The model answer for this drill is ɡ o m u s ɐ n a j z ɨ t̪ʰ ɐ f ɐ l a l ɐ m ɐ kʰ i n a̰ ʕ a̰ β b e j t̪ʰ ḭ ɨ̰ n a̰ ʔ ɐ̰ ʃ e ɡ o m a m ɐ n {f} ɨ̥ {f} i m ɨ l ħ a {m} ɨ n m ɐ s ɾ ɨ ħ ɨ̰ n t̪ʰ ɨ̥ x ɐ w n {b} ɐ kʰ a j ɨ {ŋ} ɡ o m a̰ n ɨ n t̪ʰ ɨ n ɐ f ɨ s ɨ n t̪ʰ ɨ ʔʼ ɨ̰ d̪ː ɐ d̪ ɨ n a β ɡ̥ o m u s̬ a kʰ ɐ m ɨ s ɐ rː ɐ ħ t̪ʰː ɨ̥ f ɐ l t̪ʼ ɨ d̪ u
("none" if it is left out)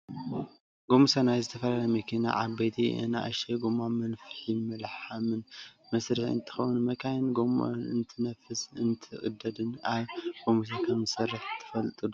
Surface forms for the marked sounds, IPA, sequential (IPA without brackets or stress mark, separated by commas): f, ħ, m, m, n